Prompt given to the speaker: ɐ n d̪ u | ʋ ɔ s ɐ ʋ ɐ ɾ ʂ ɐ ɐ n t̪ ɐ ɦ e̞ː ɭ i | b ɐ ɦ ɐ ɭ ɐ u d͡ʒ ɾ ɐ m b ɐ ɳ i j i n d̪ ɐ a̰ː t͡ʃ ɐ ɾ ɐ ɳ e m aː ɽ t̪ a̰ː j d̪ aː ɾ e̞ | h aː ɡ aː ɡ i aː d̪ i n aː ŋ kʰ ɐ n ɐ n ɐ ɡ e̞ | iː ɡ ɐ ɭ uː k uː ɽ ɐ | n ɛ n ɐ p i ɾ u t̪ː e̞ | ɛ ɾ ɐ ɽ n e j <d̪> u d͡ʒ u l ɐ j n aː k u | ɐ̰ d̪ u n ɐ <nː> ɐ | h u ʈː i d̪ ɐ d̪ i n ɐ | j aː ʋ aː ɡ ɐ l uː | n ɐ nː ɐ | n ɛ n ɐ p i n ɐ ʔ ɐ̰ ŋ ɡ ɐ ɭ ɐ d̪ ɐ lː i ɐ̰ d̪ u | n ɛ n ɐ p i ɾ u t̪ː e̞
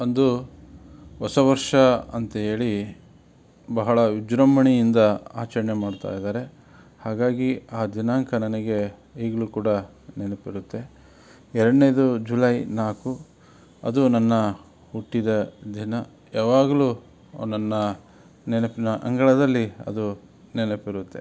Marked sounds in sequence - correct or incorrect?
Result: correct, correct

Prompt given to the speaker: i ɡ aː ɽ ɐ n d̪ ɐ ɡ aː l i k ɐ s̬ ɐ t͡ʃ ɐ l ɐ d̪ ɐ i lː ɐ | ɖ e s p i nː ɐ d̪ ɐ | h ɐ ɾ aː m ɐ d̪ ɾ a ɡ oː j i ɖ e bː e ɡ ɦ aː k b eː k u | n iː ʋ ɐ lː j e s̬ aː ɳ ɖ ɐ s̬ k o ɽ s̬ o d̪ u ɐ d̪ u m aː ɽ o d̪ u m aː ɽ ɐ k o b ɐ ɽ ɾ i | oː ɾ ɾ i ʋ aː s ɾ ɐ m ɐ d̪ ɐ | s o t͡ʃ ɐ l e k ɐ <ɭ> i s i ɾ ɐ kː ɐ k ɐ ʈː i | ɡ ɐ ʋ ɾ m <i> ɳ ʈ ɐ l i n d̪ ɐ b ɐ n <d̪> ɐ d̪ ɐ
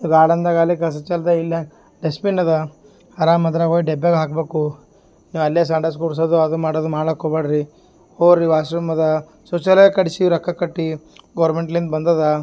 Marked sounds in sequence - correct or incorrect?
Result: incorrect: ɽ, incorrect: e, correct

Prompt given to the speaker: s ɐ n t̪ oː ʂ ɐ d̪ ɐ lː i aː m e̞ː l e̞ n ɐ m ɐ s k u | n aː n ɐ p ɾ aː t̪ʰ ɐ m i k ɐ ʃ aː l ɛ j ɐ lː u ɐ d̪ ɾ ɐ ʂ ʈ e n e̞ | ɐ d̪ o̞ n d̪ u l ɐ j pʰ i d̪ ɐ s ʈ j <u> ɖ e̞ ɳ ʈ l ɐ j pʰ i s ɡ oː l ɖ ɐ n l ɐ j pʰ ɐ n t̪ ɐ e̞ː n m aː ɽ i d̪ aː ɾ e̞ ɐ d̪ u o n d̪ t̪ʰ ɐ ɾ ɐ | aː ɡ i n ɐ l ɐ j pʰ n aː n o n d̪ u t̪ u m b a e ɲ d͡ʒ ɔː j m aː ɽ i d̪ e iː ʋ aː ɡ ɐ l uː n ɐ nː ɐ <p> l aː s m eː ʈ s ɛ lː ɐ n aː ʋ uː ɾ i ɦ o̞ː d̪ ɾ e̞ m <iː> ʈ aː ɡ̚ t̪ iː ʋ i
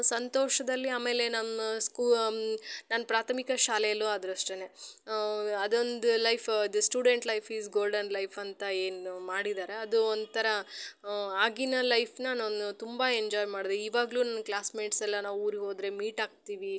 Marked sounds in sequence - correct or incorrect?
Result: incorrect: uː, incorrect: k, correct

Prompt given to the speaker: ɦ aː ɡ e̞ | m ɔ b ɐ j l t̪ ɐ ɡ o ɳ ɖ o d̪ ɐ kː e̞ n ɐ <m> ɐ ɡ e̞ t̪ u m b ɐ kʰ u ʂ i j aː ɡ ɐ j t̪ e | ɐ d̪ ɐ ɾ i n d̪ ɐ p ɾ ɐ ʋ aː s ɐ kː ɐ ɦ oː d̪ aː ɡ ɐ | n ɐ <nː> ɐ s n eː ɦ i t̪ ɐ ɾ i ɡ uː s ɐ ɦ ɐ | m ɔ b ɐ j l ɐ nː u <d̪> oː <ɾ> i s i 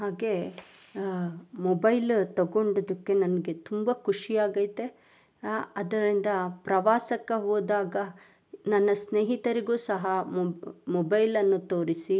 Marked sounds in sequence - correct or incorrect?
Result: incorrect: n, correct, incorrect: t̪, correct

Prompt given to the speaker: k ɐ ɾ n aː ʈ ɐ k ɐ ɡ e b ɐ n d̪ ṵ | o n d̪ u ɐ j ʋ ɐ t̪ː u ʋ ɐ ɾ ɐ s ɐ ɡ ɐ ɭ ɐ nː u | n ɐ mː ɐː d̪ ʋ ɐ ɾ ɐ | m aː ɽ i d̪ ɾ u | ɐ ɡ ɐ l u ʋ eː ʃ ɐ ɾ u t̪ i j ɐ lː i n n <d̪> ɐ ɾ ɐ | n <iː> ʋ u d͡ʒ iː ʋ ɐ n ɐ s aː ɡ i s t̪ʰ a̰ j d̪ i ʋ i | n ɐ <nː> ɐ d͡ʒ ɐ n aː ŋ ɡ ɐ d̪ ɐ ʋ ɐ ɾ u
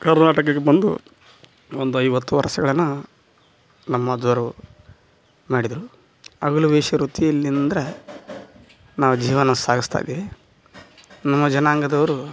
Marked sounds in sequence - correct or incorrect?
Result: correct, incorrect: aː, incorrect: mː

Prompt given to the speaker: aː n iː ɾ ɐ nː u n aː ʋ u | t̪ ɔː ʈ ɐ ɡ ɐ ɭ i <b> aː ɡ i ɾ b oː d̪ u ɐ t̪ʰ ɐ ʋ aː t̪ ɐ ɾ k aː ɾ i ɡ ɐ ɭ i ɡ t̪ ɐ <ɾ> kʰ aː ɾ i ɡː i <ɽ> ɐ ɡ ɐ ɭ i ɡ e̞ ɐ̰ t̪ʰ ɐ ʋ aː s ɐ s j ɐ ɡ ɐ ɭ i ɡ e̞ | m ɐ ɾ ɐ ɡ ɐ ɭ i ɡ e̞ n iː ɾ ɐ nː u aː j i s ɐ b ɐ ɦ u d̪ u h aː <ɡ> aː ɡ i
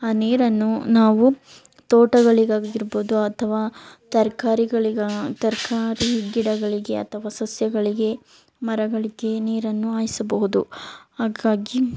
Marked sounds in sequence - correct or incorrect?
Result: incorrect: ɡ, correct, correct, correct

